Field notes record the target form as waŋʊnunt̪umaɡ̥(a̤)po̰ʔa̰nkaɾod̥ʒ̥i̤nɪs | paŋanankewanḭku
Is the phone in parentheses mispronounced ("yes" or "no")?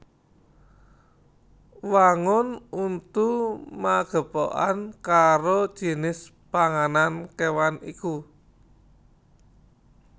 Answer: yes